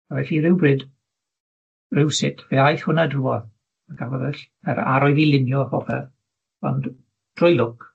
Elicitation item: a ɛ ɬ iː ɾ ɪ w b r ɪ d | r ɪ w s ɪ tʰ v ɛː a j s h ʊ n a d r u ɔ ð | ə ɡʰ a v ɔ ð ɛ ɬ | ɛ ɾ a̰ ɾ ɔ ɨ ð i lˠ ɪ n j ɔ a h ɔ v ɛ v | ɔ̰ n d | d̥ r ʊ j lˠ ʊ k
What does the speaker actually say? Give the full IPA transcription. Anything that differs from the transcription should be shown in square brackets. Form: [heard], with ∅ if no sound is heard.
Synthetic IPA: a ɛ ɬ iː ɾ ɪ w b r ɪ d | r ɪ w s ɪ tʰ v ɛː a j [θ] h ʊ n a d r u ɔ ð | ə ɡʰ a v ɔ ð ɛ ɬ | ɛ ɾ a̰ ɾ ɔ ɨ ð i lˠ ɪ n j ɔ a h ɔ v ɛ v | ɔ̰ n d | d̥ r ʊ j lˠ ʊ k